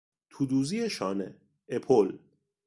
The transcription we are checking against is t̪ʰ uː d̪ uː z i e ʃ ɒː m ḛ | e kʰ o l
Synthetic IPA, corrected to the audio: t̪ʰ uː d̪ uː z i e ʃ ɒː n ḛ | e pʰ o l